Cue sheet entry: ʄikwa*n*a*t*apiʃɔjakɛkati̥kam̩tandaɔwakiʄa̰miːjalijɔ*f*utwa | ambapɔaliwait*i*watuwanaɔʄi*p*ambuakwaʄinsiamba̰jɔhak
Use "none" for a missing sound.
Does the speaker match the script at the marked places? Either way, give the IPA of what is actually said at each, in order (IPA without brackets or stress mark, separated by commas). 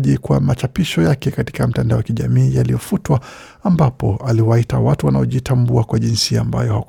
m, t͡ʃ, f, a, t